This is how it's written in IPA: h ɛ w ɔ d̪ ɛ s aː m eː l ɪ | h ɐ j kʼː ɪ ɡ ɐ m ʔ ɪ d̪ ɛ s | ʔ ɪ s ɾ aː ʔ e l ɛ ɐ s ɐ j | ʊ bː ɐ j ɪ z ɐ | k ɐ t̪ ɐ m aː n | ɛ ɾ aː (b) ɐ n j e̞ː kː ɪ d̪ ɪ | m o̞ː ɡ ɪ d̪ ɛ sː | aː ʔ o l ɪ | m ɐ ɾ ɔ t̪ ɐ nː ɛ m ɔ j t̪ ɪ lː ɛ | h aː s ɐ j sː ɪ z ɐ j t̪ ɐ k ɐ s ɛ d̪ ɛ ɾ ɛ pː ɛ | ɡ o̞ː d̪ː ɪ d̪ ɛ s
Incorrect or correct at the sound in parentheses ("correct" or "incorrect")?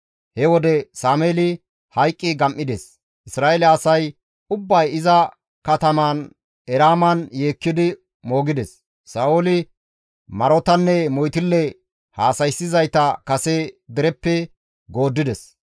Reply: incorrect